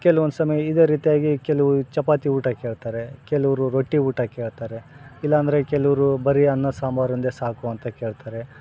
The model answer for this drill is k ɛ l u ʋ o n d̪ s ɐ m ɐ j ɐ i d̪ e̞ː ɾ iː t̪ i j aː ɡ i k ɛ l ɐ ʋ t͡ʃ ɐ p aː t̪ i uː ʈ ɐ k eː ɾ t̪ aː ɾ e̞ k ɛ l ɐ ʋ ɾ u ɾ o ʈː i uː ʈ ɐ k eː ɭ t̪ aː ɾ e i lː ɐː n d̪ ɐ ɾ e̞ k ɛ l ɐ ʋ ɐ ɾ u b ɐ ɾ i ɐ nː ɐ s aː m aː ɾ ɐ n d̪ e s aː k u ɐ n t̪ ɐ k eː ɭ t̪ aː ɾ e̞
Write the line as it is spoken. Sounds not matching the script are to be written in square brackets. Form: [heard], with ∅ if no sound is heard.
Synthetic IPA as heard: k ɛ l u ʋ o n d̪ s ɐ m ɐ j ɐ i d̪ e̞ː ɾ iː t̪ i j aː ɡ i k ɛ l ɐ ʋ t͡ʃ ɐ p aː t̪ i uː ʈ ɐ k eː [ɭ] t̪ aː ɾ e̞ k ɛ l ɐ ʋ ɾ u ɾ o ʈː i uː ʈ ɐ k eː ɭ t̪ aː ɾ e i lː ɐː n d̪ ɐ ɾ e̞ k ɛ l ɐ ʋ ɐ ɾ u b ɐ ɾ i ɐ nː ɐ s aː m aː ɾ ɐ n d̪ e s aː k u ɐ n t̪ ɐ k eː ɭ t̪ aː ɾ e̞

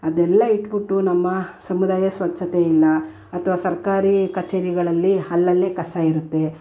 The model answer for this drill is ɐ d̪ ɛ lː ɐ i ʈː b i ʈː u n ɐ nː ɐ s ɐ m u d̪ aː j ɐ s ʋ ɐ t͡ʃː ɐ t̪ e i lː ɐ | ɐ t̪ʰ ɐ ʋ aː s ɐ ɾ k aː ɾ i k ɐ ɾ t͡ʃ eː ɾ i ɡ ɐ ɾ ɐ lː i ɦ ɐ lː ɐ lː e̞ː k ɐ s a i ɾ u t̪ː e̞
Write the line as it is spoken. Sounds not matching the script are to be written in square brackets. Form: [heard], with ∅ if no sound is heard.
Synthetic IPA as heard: ɐ d̪ ɛ lː ɐ i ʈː b i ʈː u n ɐ [mː] ɐ s ɐ m u d̪ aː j ɐ s ʋ ɐ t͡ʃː ɐ t̪ e i lː ɐ | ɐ t̪ʰ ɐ ʋ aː s ɐ ɾ k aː ɾ i k ɐ [∅] t͡ʃ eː ɾ i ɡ ɐ [ɭ] ɐ lː i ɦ ɐ lː ɐ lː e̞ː k ɐ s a i ɾ u t̪ː e̞

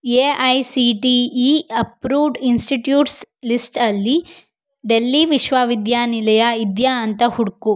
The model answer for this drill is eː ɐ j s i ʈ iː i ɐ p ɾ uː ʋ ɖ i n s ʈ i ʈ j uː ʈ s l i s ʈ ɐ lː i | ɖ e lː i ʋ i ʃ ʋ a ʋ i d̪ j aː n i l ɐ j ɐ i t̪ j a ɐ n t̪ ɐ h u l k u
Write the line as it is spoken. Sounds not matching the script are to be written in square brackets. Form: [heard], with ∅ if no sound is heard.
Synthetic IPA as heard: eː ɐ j s i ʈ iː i ɐ p ɾ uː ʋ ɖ i n s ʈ i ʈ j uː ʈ s l i s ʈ ɐ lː i | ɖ e lː i ʋ i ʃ ʋ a ʋ i d̪ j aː n i l ɐ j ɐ i [d̪] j a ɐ n t̪ ɐ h u [ɽ] k u

